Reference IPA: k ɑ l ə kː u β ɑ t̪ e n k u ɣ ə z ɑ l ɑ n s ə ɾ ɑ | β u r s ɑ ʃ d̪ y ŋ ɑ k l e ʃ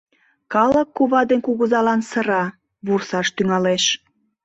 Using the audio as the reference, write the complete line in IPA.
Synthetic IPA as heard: k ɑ l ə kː u β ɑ d̪ e n k u ɣ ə z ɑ l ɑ n s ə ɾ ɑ | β u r s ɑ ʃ t̪ y ŋ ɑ l e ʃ